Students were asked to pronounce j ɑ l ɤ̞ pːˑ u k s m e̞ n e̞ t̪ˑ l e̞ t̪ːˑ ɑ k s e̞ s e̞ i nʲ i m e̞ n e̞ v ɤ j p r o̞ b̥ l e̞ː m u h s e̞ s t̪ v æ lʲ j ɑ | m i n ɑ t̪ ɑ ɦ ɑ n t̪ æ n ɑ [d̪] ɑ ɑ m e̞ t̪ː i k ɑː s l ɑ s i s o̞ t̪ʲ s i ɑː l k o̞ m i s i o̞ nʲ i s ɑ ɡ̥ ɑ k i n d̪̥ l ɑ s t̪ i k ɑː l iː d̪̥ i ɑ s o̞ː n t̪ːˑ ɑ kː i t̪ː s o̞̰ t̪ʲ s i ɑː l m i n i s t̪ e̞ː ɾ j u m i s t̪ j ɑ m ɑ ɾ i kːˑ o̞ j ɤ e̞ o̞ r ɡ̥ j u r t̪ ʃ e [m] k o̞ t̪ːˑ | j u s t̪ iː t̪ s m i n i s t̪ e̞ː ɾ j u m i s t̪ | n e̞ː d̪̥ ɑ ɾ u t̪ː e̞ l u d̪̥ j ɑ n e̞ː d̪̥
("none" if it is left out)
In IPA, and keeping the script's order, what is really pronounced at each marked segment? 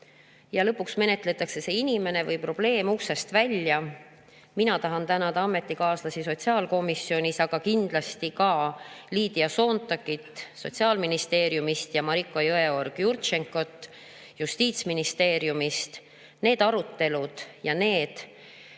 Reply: d̪, ŋ

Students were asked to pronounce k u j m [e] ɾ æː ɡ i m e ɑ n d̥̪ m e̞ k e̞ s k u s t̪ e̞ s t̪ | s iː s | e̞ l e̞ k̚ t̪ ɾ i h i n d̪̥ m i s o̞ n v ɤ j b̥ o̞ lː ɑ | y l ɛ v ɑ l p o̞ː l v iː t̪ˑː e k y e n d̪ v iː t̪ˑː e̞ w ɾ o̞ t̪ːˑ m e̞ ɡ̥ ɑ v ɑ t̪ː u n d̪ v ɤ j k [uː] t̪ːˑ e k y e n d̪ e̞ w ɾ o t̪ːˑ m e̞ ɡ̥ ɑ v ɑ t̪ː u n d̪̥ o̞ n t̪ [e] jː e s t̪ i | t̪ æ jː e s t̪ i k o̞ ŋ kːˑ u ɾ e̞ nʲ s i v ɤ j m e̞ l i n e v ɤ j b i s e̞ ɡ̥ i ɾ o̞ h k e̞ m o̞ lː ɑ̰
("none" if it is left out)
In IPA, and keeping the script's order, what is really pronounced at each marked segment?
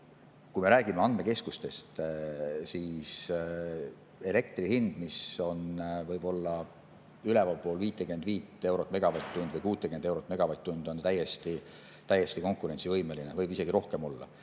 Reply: e, uː, æ

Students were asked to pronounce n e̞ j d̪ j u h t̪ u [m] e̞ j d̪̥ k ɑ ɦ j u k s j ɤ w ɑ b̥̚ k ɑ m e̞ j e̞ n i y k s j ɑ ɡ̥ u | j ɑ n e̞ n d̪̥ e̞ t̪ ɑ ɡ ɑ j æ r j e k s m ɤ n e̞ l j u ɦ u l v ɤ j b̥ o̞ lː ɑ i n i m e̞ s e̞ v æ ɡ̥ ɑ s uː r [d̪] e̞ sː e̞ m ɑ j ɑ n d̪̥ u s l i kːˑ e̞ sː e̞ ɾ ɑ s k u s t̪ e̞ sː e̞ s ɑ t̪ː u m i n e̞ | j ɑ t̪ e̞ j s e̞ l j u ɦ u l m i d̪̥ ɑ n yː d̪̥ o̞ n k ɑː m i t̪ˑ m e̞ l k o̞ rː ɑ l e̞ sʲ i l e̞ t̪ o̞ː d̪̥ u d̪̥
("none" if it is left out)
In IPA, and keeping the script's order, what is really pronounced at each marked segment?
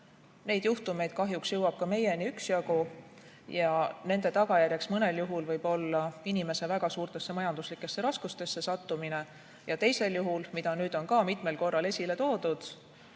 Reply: m, t̪

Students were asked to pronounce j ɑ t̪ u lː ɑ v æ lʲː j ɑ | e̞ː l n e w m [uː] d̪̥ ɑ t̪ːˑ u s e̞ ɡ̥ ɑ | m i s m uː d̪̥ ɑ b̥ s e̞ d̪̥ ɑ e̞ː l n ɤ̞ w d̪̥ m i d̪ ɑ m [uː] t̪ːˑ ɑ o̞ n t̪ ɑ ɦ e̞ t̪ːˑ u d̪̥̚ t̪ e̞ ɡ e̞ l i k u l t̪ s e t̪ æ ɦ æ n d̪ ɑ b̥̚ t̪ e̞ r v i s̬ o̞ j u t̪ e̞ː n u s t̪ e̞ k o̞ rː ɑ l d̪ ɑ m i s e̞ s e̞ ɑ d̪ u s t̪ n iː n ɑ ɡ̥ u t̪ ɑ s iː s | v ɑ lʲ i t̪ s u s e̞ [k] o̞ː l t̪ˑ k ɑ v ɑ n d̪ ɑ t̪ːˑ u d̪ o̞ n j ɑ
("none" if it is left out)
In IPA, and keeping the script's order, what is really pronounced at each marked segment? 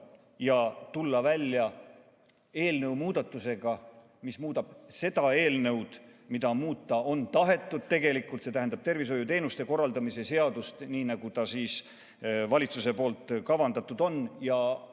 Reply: uː, uː, p

